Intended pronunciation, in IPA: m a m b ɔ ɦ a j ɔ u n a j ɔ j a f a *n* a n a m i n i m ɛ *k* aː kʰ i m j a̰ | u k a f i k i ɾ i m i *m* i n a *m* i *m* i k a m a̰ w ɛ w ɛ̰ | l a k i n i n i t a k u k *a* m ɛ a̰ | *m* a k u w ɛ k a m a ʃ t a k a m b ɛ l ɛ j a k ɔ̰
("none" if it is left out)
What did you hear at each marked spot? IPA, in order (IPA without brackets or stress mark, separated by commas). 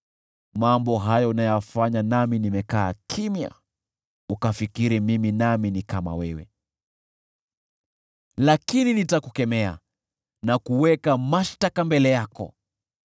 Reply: ɲ, k, m, m, n, ɛ, n